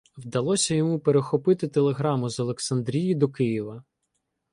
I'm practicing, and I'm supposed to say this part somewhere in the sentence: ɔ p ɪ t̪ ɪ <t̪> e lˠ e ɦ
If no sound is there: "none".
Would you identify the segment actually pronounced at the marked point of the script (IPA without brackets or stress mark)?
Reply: t̪